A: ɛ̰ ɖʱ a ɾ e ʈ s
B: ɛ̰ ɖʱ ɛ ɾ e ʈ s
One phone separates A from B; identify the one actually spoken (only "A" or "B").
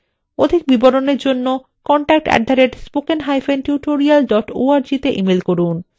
A